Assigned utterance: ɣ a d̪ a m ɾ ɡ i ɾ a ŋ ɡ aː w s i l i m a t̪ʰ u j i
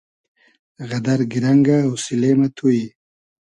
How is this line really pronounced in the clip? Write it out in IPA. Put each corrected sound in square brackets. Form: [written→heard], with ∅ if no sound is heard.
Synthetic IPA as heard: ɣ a d̪ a [m→∅] ɾ ɡ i ɾ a ŋ ɡ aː w s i l [i→e] m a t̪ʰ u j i